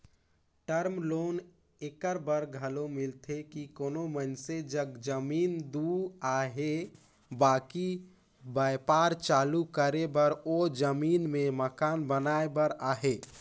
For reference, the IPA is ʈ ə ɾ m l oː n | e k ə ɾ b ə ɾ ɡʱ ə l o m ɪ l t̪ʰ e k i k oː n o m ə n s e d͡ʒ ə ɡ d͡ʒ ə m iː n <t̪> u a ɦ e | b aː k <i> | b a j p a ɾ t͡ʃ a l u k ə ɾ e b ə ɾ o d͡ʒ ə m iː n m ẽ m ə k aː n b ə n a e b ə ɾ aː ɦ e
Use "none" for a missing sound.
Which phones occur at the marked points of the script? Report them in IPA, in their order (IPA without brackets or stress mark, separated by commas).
d̪, i